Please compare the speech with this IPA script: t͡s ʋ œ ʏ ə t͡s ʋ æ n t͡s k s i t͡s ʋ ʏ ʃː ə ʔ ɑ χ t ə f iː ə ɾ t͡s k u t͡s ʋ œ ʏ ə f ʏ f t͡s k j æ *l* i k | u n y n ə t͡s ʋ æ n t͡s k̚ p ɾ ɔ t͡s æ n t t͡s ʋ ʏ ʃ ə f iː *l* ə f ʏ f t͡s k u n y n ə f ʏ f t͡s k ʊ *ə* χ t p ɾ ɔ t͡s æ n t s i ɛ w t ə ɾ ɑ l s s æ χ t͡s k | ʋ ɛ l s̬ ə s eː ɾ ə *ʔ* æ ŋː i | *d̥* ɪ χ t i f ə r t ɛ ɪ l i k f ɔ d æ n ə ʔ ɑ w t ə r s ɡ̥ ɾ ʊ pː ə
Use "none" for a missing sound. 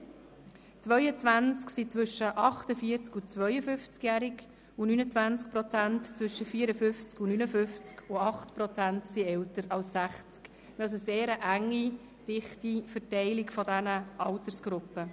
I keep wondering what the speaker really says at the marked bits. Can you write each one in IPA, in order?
ɾ, ɾ, ɑ, ʔ, d̥

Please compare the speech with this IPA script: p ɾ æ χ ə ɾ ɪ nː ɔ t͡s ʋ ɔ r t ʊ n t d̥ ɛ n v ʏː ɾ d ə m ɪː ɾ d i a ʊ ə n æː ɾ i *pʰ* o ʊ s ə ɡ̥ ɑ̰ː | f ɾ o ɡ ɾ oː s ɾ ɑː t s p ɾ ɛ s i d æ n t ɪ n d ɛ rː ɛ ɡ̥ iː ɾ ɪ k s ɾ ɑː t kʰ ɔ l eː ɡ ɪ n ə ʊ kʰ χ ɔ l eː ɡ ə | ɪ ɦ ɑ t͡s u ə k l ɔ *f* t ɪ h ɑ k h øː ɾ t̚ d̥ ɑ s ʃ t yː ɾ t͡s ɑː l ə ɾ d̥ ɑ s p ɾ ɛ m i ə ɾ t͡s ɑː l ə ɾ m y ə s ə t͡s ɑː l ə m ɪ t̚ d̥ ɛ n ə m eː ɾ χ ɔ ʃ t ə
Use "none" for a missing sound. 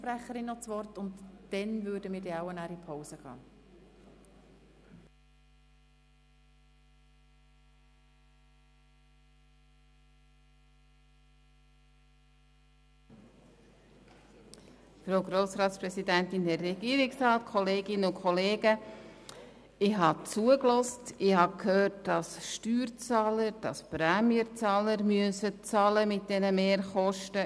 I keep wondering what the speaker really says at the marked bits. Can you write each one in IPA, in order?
pʰ, s

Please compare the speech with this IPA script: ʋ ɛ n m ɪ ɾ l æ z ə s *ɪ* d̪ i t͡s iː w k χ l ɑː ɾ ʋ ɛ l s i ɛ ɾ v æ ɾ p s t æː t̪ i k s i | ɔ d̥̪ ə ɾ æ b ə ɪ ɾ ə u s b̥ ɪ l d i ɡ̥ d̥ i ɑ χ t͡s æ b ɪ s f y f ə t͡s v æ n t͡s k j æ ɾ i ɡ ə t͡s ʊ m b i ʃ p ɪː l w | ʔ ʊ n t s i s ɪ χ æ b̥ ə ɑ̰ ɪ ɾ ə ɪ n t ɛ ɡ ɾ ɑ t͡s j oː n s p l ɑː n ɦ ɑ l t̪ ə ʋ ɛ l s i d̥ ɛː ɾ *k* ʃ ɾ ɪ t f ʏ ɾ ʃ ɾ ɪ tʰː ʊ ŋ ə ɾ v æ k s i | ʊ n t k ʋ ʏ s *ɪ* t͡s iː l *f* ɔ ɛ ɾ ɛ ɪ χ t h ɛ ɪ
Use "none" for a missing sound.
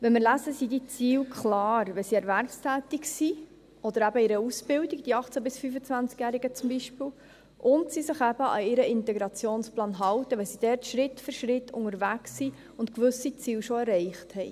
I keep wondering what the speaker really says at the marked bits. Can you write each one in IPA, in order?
i, t, i, ʃ

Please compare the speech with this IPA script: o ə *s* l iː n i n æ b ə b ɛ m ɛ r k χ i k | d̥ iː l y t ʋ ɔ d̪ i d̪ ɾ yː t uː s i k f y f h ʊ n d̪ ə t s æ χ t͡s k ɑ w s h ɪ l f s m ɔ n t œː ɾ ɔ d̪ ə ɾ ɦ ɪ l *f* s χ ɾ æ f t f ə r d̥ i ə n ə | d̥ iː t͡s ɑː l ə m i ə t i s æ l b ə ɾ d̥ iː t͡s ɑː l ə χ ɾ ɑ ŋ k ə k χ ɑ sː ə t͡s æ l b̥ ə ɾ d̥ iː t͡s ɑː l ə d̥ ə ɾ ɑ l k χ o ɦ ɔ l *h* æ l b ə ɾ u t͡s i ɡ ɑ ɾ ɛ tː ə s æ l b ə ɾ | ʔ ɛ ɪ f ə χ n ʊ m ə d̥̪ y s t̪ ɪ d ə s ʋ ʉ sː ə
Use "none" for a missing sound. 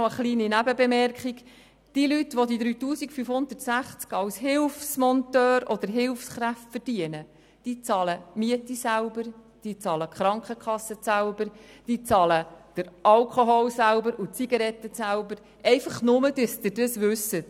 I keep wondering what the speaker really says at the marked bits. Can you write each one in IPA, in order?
χ, f, s

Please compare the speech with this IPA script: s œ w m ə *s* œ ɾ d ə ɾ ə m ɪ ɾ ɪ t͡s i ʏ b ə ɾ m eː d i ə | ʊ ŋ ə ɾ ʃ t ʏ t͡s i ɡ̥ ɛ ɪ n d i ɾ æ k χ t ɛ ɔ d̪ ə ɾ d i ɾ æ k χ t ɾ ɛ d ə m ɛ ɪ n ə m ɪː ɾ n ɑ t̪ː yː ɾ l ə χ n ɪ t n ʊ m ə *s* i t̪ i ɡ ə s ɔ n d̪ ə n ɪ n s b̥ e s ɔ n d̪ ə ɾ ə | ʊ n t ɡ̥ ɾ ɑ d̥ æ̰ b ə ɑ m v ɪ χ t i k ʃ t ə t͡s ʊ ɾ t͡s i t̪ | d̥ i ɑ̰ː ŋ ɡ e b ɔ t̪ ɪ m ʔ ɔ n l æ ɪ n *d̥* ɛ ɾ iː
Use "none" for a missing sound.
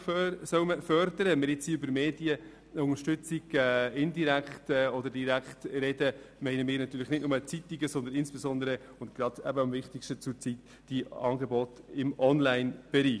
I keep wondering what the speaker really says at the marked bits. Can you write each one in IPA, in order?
f, t͡s, b̥

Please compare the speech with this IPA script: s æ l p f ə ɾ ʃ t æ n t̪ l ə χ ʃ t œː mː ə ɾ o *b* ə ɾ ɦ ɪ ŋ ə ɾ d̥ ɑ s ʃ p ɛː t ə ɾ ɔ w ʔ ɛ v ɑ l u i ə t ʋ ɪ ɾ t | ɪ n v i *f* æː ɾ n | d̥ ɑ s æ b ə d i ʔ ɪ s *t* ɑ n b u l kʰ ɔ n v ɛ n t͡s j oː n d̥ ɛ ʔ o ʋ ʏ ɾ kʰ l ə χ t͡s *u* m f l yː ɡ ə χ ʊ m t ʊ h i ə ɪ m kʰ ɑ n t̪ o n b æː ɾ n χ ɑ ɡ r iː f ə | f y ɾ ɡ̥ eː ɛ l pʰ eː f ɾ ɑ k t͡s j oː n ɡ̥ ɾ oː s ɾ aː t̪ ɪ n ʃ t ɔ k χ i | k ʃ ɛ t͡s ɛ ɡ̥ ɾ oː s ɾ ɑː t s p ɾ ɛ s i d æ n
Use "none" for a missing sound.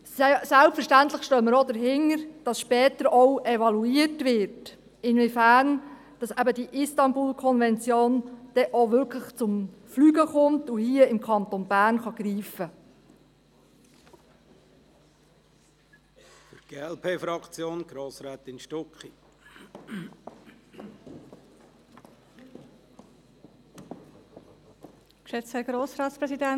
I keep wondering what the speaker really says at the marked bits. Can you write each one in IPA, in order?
d, f, t, ʊ

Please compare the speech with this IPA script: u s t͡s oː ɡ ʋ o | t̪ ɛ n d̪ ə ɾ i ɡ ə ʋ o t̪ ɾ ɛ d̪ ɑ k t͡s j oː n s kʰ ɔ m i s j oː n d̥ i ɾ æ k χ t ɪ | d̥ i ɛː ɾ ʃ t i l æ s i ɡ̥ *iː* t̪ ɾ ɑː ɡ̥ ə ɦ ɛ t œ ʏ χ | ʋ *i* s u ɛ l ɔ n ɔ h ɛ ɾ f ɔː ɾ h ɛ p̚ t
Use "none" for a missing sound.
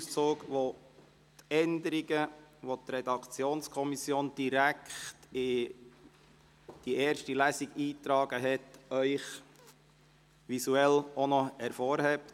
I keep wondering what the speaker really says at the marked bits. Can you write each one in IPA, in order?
iː, i

